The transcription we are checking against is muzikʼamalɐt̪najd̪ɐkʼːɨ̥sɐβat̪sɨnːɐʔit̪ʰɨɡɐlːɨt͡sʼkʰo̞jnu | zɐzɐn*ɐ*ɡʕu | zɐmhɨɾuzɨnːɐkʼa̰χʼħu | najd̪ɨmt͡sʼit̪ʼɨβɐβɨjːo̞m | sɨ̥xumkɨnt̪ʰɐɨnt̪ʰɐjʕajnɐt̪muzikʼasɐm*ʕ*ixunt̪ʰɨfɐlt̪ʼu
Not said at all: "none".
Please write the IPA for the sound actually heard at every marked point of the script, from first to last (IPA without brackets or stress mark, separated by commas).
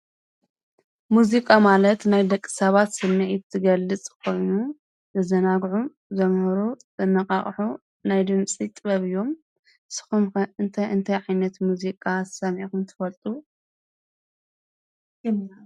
a, ʕ